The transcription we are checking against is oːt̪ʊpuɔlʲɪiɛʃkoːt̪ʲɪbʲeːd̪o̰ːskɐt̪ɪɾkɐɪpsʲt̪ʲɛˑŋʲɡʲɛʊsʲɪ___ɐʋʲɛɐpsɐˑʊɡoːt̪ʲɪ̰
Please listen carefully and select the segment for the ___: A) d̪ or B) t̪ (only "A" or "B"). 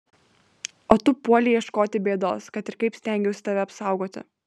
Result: B